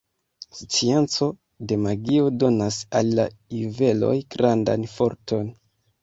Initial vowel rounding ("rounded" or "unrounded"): unrounded